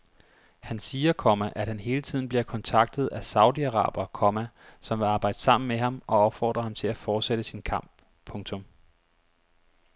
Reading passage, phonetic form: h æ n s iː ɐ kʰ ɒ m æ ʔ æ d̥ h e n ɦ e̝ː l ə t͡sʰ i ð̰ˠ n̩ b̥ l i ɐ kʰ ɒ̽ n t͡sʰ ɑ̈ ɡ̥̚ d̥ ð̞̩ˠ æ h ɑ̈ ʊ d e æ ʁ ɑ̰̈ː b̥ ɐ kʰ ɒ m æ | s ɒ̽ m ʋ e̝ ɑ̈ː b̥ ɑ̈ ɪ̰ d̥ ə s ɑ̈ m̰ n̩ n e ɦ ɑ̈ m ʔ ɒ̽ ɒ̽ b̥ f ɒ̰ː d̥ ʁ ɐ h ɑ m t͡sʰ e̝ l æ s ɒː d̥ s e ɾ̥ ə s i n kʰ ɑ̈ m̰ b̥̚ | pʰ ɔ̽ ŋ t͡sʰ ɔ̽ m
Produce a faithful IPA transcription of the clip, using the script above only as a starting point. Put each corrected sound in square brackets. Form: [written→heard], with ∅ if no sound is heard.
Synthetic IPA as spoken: h æ n s iː ɐ kʰ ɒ m æ ʔ æ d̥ h [e→æ] n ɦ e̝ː l ə t͡sʰ i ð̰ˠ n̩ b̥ l i ɐ kʰ ɒ̽ n t͡sʰ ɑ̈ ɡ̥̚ d̥ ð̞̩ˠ æ [h→s] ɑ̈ ʊ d [e→i] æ ʁ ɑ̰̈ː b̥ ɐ kʰ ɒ m æ | s ɒ̽ m ʋ e̝ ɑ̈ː b̥ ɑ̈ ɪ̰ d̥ ə s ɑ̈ m̰ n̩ [n→m] e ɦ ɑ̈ m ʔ ɒ̽ ɒ̽ b̥ f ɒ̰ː d̥ ʁ ɐ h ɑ m t͡sʰ e̝ l æ [s→f] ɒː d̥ s e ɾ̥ ə s i n kʰ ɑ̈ m̰ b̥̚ | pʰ ɔ̽ ŋ t͡sʰ ɔ̽ m